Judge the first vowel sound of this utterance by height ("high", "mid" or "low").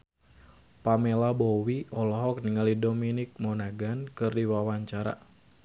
low